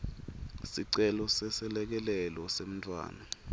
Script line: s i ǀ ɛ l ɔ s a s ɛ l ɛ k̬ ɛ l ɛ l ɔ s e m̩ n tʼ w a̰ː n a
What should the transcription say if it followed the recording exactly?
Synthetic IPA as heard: s i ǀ ɛ l ɔ s ɛ s ɛ l ɛ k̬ ɛ l ɛ l ɔ s e m̩ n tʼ w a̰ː n a